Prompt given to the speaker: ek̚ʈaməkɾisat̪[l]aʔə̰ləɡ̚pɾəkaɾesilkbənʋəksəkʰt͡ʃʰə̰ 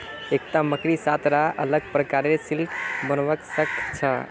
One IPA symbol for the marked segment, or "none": ɾ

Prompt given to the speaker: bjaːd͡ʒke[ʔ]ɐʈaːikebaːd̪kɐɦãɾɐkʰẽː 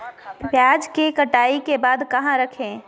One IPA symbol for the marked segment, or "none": k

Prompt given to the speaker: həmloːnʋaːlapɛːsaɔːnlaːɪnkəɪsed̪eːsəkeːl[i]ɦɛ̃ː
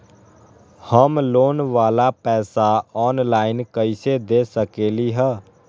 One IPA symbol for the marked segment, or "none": i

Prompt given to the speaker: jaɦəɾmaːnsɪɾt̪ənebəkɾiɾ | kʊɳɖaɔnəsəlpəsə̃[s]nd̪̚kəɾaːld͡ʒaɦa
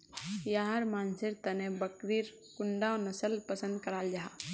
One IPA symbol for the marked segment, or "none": none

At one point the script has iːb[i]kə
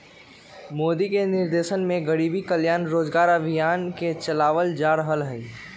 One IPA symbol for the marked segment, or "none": i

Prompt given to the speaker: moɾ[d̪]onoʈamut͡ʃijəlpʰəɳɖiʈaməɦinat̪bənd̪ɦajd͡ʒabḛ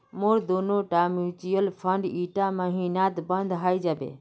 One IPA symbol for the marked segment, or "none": d̪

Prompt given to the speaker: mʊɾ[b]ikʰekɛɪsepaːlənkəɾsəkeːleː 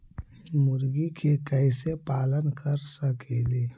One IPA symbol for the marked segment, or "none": ɡ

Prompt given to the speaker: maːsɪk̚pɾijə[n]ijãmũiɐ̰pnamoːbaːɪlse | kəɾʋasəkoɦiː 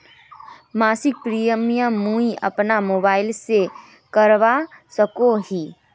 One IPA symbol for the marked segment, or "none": m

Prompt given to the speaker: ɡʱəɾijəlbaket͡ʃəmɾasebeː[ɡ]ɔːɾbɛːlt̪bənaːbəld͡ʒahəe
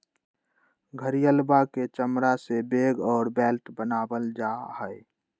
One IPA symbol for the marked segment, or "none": ɡ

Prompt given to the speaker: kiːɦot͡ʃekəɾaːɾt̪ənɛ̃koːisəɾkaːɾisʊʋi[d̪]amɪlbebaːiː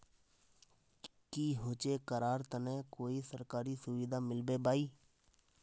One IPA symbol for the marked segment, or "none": d̪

